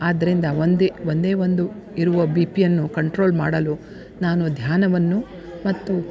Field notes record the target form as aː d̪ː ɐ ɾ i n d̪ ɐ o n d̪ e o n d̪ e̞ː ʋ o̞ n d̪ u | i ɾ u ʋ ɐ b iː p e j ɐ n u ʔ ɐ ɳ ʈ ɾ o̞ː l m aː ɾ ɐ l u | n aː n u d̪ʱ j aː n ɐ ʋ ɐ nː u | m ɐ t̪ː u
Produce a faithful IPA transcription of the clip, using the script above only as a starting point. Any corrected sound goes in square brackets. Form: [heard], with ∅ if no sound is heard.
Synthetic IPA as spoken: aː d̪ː ɐ ɾ i n d̪ ɐ o n d̪ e o n d̪ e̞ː ʋ o̞ n d̪ u | i ɾ u ʋ ɐ b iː p [i] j ɐ [nː] u [k] ɐ ɳ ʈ ɾ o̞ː l m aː [ɽ] ɐ l u | n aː n u d̪ʱ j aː n ɐ ʋ ɐ nː u | m ɐ t̪ː u

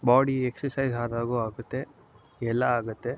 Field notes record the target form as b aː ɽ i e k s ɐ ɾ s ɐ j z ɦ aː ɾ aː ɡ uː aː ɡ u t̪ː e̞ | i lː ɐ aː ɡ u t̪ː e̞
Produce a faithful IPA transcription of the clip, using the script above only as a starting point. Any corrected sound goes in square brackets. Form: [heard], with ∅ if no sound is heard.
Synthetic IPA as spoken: b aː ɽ i e k s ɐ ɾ s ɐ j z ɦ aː ɾ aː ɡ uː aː ɡ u t̪ː e̞ | [ɛ] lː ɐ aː ɡ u t̪ː e̞

